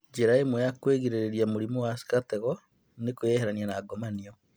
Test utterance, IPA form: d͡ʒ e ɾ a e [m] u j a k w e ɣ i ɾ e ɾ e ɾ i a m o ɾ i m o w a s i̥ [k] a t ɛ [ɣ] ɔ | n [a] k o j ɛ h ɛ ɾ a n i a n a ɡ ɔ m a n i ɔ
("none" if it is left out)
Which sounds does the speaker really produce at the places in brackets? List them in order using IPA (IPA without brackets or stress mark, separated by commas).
m, k, ɣ, e